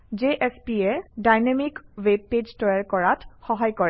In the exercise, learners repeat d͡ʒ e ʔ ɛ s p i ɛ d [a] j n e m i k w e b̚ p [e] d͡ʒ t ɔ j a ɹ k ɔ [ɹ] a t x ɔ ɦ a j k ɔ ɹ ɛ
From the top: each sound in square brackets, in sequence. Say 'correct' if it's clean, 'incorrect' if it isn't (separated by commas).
correct, correct, correct